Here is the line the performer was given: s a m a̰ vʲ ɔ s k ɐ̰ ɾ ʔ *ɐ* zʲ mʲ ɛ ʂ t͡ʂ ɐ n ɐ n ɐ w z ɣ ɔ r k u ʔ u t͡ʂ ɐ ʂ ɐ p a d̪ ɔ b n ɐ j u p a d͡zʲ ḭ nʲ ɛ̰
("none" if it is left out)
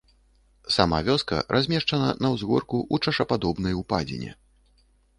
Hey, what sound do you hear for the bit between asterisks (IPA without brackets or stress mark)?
a